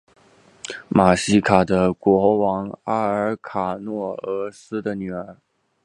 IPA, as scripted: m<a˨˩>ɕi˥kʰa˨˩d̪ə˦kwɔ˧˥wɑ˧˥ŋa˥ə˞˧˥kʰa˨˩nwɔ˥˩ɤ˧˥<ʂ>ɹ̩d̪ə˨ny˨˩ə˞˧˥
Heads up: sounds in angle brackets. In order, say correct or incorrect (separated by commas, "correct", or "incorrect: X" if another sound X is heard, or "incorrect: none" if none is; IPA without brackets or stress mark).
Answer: correct, incorrect: s